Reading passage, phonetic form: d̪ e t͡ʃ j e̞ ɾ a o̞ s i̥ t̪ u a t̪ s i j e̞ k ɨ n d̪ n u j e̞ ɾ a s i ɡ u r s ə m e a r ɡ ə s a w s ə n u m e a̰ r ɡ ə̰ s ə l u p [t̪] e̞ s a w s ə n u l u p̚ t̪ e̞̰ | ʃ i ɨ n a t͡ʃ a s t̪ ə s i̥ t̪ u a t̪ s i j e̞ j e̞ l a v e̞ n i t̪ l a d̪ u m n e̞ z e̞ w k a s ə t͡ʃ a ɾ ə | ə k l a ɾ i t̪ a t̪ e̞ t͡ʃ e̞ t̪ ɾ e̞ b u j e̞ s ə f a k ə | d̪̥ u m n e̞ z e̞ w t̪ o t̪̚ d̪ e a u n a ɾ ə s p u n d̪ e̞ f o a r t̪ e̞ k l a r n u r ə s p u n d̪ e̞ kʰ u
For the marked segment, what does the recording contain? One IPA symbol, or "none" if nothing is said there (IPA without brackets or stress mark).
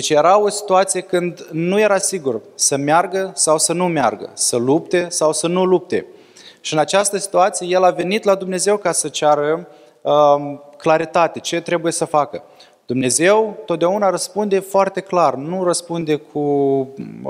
t̪